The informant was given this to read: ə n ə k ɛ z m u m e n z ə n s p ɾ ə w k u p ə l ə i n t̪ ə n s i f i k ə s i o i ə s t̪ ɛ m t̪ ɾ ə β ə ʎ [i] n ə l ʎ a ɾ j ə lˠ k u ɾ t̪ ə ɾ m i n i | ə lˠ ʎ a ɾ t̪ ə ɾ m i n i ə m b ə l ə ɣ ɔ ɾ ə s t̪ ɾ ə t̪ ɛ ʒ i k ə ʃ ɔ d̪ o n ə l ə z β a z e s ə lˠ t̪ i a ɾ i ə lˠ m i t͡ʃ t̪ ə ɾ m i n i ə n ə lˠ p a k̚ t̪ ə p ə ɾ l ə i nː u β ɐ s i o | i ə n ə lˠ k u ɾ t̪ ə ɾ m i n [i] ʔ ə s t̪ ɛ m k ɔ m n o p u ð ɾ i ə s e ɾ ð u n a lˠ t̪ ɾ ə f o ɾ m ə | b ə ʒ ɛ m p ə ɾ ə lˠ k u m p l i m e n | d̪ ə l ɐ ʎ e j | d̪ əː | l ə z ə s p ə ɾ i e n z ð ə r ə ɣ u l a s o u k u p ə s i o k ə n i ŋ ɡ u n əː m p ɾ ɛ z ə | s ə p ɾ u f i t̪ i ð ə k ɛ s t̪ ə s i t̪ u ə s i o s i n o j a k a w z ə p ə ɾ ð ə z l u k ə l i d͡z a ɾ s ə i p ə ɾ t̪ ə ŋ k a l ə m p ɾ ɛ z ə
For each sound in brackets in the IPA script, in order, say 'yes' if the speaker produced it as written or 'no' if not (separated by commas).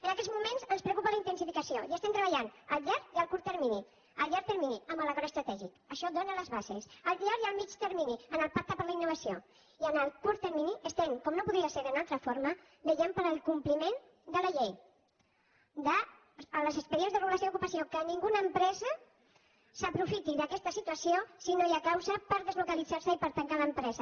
no, yes